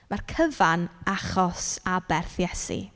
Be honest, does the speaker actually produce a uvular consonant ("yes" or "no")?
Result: yes